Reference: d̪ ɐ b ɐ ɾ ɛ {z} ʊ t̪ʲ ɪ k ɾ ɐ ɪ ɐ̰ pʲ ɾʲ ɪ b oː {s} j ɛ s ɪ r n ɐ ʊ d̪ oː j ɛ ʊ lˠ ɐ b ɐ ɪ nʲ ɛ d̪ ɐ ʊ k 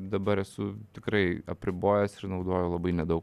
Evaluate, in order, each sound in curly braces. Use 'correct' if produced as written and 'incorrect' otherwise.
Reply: incorrect: s, incorrect: none

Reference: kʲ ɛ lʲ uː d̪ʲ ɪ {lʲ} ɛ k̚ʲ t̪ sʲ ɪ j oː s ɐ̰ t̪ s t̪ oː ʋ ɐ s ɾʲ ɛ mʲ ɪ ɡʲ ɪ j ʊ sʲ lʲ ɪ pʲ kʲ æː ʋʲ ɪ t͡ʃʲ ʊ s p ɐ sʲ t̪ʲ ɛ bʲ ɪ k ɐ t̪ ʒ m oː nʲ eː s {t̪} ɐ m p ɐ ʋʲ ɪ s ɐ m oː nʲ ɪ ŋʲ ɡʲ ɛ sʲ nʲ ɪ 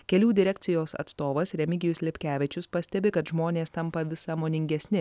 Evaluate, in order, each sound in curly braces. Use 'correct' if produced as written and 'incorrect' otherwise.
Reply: incorrect: ɾʲ, correct

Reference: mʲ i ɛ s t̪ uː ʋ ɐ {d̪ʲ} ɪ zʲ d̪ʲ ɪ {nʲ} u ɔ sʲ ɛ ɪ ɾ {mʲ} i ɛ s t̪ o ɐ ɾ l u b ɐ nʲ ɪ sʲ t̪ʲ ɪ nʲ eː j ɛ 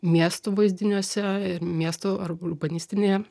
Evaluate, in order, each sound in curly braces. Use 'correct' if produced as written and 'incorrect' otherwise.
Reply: incorrect: none, correct, correct

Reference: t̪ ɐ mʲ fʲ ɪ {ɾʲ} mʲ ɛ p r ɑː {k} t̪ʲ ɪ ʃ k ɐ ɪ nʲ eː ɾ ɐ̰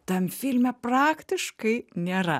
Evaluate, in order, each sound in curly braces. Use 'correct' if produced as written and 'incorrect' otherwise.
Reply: incorrect: lʲ, correct

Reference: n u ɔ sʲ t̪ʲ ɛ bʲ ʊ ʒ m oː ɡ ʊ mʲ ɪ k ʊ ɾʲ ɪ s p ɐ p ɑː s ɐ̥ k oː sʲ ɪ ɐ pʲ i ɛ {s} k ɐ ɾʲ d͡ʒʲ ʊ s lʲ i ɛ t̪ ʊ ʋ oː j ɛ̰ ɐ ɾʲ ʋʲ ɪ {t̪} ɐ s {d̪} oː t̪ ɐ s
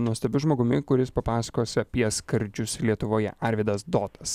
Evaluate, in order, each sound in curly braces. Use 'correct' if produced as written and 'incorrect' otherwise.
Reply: correct, incorrect: d̪, correct

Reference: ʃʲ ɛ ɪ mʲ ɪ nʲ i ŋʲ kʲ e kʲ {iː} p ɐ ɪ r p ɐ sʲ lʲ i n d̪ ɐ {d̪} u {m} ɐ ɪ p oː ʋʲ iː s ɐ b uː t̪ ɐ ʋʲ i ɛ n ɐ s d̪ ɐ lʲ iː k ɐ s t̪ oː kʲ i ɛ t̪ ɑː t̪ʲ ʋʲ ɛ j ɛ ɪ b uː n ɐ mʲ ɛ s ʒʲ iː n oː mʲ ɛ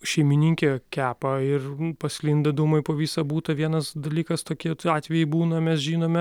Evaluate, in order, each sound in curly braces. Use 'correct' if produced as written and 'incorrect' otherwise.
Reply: incorrect: æː, correct, correct

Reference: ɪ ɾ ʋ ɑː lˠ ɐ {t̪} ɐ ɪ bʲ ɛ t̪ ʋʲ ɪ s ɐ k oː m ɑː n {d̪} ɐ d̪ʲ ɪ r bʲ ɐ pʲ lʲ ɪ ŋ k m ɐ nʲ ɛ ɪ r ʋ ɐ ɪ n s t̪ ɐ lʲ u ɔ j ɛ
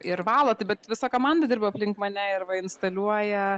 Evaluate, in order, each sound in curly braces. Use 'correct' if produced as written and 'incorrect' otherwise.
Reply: correct, correct

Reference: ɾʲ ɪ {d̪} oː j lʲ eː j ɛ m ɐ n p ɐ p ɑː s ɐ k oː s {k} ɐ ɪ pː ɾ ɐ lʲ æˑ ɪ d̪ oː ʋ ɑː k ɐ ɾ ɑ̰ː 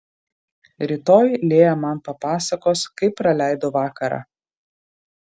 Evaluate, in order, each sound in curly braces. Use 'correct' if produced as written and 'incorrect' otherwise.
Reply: incorrect: t̪, correct

